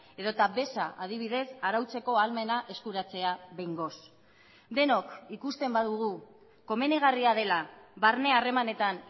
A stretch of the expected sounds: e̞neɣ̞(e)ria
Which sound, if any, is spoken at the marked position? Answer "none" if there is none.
a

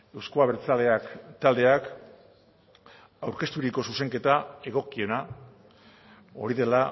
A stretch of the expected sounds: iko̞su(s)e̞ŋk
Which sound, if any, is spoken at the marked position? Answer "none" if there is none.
s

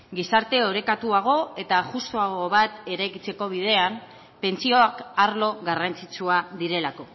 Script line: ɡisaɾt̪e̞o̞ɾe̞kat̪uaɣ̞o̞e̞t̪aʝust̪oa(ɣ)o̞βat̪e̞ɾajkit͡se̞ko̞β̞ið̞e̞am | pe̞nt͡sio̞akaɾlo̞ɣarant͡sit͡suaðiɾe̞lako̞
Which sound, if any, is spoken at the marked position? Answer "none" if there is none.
ɣ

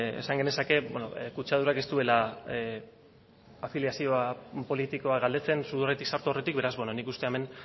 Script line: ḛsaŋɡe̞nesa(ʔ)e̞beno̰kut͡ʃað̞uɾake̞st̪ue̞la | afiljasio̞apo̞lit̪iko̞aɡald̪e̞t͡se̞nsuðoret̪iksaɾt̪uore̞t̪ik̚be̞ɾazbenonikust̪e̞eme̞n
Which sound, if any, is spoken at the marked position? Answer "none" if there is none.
k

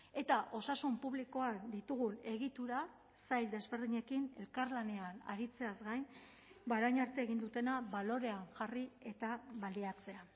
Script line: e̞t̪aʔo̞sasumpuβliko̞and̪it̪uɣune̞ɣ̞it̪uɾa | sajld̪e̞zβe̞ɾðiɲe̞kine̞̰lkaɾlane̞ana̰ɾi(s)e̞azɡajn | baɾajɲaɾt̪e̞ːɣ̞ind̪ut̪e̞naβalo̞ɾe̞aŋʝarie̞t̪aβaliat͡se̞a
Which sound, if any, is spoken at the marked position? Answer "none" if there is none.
t͡s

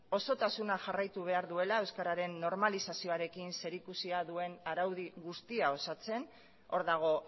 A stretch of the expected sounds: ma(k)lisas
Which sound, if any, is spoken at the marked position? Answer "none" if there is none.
none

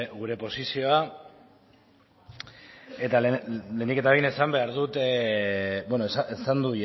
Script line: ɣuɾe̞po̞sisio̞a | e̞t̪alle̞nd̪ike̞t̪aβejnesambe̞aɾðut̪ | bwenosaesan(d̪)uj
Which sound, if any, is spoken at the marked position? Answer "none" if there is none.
d̪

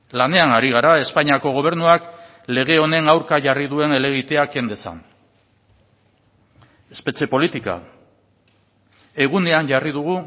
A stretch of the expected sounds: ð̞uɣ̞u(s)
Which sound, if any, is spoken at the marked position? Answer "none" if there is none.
none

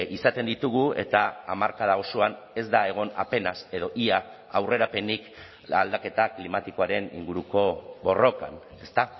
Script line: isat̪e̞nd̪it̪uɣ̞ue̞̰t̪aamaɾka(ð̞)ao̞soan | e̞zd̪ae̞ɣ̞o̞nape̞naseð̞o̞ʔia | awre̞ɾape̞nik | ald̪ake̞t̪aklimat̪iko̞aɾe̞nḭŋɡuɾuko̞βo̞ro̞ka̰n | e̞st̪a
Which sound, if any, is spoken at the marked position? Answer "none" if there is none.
ð̞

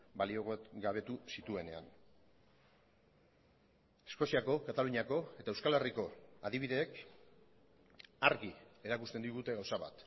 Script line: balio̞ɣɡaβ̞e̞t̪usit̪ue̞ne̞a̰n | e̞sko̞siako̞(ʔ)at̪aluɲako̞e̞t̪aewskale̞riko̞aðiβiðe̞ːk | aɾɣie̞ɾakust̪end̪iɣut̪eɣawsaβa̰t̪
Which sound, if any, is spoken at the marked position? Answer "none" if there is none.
k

